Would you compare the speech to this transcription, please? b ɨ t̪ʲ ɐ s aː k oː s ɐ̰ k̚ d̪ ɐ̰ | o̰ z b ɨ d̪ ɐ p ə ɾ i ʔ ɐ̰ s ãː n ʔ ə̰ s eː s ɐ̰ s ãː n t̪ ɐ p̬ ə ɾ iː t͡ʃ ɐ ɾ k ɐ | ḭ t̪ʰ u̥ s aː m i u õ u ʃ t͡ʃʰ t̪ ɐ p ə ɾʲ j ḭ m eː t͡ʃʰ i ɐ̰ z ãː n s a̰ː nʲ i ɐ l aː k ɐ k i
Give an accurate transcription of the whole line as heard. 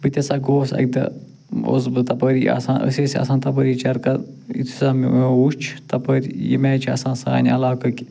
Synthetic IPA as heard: b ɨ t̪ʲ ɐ s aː ɡ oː s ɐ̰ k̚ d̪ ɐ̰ | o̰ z b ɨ t̪ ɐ p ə ɾ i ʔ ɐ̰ s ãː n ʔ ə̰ s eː s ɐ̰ s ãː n t̪ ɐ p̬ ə ɾ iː t͡ʃ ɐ ɾ k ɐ | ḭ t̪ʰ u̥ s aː m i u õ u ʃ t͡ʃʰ t̪ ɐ p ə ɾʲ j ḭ m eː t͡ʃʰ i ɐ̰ s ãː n s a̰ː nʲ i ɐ l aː k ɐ k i